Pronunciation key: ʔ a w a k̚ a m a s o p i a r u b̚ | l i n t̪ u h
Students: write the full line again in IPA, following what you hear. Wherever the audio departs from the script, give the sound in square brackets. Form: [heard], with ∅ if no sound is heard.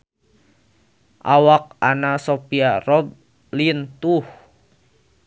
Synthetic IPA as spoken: ʔ a w a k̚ a [n] a s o p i a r [ɔ] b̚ | l i n t̪ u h

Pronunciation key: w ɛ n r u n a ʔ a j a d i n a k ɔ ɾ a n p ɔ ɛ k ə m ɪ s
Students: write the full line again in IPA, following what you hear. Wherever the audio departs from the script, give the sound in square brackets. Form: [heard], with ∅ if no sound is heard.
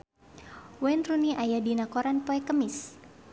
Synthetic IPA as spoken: w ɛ n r u n [i] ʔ a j a d i n a k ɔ ɾ a n p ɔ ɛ k ə m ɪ s

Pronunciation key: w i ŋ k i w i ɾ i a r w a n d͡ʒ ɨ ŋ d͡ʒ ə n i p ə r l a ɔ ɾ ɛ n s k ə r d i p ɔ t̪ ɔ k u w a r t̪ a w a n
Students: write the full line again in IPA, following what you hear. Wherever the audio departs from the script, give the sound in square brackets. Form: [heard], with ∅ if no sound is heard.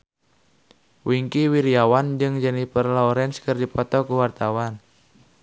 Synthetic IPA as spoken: w i ŋ k i w i ɾ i a [∅] w a n d͡ʒ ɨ ŋ d͡ʒ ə n i p ə r l a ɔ ɾ ɛ n s k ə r d i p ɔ t̪ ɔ k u w a r t̪ a w a n

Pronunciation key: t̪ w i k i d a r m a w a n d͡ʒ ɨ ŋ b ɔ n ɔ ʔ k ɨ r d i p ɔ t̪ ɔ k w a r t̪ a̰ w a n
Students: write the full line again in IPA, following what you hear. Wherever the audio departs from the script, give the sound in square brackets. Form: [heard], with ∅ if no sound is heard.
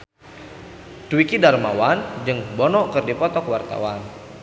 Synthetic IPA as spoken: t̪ w i k i d a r m a w a n d͡ʒ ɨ ŋ b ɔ n ɔ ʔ k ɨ r d i p ɔ t̪ ɔ k w a r t̪ a̰ w a n

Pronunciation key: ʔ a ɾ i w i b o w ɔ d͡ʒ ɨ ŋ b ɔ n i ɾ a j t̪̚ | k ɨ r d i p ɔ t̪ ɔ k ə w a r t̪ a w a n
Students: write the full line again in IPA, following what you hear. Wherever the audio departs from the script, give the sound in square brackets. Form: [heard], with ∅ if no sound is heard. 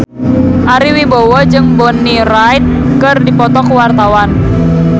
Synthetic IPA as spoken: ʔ a ɾ i w i b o w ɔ d͡ʒ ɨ ŋ b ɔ n i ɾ a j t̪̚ | k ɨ r d i p ɔ t̪ ɔ k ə w a r t̪ a w a n

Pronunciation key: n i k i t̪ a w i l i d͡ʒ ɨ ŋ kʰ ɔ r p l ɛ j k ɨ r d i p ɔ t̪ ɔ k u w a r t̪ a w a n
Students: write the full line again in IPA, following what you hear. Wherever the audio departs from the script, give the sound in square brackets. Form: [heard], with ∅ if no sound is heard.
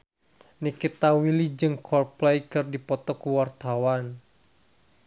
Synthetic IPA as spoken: n i k i t̪ a w i l i d͡ʒ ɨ ŋ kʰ ɔ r p l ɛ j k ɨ r d i p ɔ t̪ ɔ k u w a r t̪ a w a n

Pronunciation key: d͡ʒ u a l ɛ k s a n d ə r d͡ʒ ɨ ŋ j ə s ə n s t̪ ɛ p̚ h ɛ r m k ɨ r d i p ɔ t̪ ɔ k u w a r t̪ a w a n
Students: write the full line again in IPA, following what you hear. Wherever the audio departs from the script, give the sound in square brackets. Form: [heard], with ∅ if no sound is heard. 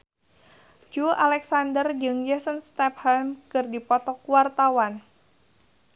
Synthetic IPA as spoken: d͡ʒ u a l ɛ k s a n d ə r d͡ʒ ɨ ŋ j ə s ə n s t̪ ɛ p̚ h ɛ [l] m k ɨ r d i p ɔ t̪ ɔ k u w a r t̪ a w a n

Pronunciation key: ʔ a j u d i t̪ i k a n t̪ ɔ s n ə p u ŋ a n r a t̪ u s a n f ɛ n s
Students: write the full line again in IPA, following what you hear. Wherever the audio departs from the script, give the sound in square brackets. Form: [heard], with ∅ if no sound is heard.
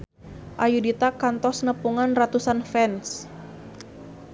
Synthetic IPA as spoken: ʔ a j u d i t̪ [a] k a n t̪ ɔ s n ə p u ŋ a n r a t̪ u s a n f ɛ n s

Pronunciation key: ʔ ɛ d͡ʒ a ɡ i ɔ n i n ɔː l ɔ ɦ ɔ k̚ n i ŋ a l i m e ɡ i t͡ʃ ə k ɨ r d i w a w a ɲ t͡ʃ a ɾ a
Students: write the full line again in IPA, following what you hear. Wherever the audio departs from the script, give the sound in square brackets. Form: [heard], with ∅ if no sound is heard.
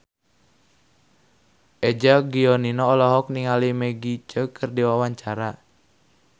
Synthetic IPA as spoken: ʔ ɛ d͡ʒ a ɡ i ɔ n i n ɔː l ɔ ɦ ɔ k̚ n i ŋ a l i m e ɡ i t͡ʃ ə k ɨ r d i w a w a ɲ t͡ʃ a ɾ a

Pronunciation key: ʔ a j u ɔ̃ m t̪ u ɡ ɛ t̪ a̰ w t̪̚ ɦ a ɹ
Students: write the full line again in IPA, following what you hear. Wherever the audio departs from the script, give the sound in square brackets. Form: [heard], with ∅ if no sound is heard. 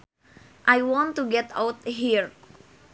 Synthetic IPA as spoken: ʔ a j [w] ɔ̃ [n] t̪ u ɡ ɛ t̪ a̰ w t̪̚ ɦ [i] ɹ

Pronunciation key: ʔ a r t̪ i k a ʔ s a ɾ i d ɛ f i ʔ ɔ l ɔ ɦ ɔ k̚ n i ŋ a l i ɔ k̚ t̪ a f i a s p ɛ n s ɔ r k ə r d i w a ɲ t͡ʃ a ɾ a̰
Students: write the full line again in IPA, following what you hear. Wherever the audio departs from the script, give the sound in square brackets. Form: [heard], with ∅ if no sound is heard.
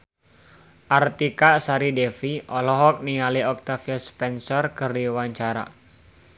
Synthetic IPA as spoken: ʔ a r t̪ i k a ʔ s a ɾ i d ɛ f i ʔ ɔ l ɔ ɦ ɔ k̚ n i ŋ a l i ɔ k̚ t̪ a f i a s p ɛ n s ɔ r k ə r d i w a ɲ t͡ʃ a ɾ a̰

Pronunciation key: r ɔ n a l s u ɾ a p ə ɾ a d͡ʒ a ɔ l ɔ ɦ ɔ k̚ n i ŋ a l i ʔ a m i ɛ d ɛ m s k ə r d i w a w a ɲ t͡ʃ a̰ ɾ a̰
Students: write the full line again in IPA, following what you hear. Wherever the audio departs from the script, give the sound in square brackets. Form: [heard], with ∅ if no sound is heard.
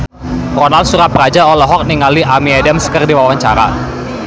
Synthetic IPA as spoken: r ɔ n a l s u ɾ a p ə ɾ a d͡ʒ a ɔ l ɔ ɦ ɔ k̚ n i ŋ a l i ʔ a m i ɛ d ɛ m s k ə r d i w a w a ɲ t͡ʃ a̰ ɾ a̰

